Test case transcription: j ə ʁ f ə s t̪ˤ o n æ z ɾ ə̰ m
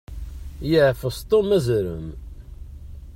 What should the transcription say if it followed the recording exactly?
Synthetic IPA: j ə ʕ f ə s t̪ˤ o m æ z ɾ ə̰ m

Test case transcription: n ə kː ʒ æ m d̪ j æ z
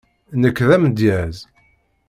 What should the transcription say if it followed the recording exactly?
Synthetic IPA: n ə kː ð æ m d̪ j æ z

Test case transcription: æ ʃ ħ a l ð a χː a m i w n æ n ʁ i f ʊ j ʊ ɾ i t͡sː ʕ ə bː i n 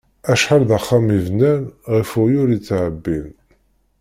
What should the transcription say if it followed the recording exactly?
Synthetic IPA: æ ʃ ħ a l ð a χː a m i v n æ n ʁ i f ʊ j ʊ ɾ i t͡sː ʕ ə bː i n

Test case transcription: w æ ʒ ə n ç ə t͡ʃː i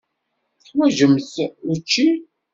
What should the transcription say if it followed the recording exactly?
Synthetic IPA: w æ ʒ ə m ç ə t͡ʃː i

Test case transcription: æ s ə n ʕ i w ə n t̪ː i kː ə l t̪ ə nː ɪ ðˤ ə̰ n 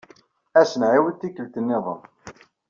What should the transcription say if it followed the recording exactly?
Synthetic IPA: æ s ə n ʕ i w ə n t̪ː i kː ə l t̪ ə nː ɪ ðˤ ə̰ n

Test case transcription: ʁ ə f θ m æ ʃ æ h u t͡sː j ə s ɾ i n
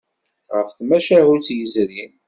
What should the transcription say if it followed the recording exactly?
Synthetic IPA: ʁ ə f θ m æ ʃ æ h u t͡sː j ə z ɾ i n

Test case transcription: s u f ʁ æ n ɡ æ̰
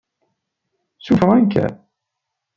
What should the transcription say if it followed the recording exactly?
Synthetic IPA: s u f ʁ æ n k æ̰

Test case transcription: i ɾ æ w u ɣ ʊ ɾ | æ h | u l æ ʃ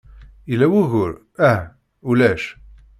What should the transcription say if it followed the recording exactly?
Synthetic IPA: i l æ w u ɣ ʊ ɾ | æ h | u l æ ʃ

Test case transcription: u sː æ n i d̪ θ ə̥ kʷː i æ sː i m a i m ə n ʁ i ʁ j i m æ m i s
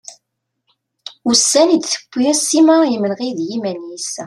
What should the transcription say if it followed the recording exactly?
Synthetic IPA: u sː æ n i d̪ θ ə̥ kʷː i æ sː i m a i m ə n ʁ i ð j i m æ n i s

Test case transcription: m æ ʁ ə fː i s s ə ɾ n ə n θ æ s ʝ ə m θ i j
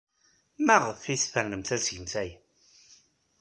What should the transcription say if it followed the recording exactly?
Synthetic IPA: m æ ʁ ə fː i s f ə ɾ n ə m θ æ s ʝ ə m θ æ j

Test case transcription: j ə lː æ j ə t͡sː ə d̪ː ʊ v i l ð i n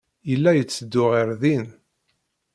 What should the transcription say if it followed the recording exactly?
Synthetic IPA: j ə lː æ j ə t͡sː ə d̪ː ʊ ʁ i ɾ ð i n

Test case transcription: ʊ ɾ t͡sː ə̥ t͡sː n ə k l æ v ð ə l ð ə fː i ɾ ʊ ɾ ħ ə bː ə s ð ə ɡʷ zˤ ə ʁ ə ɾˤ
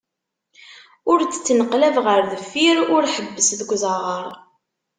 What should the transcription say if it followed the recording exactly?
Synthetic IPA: ʊ ɾ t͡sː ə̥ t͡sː n ə q l æ v ʁ ə ɾ ð ə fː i ɾ ʊ ɾ ħ ə bː ə s ð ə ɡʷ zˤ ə ʁ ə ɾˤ

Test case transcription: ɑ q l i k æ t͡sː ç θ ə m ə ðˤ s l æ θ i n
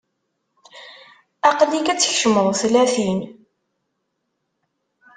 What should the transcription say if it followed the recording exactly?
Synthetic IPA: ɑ q l i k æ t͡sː ç ʃ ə m ə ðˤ θ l æ θ i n

